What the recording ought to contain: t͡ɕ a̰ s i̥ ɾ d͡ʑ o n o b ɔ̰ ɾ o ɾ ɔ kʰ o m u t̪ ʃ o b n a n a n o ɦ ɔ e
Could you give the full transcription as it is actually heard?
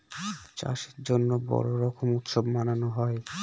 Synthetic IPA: t͡ɕ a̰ ʃ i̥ ɾ d͡ʑ o nː o b ɔ̰ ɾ o ɾ ɔ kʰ o m u t̪ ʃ o b m a n a n o ɦ ɔ e